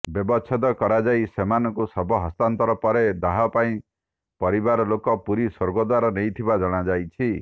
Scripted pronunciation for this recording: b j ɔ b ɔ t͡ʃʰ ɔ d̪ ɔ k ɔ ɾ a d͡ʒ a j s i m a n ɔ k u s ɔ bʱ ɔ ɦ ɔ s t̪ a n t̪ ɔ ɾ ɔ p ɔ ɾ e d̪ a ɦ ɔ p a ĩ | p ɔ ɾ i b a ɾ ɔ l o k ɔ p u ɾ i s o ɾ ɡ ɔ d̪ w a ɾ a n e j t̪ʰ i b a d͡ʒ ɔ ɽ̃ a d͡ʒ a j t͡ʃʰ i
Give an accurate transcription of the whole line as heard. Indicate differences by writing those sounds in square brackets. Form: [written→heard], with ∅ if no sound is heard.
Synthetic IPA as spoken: b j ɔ b ɔ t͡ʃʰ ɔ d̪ ɔ k ɔ ɾ a d͡ʒ a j s [i→e] m a n ɔ k u s ɔ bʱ ɔ ɦ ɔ s t̪ a n t̪ ɔ ɾ ɔ p ɔ ɾ e d̪ a ɦ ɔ p a ĩ | p ɔ ɾ i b a ɾ ɔ l o k ɔ p u ɾ i s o ɾ ɡ ɔ d̪ w a ɾ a n e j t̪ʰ i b a d͡ʒ ɔ ɽ̃ a d͡ʒ a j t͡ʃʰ i